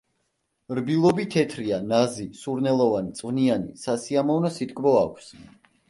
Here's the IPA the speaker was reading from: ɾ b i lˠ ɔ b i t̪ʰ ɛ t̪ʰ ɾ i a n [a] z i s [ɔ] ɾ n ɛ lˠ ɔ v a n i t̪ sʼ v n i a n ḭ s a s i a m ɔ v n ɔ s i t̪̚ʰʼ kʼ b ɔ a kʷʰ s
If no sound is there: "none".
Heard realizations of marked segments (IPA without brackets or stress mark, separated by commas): a, u